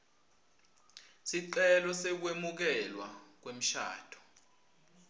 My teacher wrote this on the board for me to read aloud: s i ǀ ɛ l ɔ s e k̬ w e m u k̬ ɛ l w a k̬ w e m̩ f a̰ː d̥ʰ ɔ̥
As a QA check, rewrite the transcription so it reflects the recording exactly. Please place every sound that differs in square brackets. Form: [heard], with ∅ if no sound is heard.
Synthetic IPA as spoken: s i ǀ ɛ l ɔ s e k̬ w e m u k̬ ɛ l w a k̬ w e m̩ [ʃ] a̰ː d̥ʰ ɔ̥